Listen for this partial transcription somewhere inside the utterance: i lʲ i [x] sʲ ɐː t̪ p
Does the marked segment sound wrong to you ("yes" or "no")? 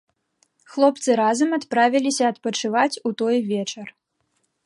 yes